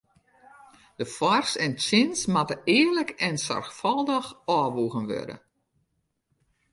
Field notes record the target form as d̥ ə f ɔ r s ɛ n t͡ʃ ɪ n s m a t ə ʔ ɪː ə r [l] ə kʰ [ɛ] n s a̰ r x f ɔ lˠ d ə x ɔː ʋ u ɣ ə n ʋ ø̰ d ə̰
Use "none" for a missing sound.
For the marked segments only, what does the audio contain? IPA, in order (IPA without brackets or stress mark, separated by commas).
l, ɛ